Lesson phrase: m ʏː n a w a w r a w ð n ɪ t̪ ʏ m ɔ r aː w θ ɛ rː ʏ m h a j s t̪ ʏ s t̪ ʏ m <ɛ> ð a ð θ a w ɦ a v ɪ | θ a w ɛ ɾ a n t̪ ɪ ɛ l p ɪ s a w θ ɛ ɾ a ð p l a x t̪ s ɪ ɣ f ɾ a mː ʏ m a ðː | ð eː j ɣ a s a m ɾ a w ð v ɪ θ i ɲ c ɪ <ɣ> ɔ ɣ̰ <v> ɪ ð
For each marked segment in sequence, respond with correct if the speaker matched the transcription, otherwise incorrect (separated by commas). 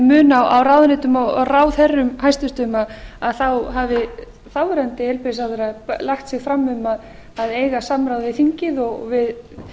incorrect, incorrect, correct